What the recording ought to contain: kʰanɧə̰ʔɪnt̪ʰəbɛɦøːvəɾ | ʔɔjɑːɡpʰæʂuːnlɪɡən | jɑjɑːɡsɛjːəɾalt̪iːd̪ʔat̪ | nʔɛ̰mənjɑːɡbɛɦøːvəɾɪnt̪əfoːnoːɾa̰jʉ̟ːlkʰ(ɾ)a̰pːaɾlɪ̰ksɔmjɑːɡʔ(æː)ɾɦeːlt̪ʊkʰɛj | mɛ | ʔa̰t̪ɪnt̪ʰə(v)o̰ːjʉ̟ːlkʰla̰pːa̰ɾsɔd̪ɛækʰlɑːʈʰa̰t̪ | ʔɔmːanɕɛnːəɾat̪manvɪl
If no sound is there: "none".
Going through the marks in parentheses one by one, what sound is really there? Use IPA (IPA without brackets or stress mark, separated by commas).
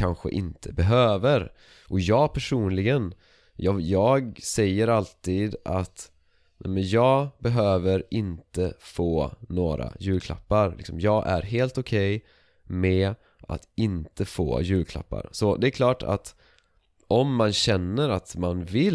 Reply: l, æ, f